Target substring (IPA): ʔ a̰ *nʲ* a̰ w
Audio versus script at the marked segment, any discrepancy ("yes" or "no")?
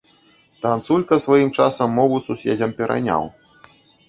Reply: no